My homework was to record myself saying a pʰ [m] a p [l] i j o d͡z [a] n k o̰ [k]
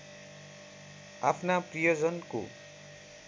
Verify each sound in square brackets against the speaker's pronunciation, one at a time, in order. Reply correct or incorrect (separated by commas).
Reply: incorrect, incorrect, incorrect, incorrect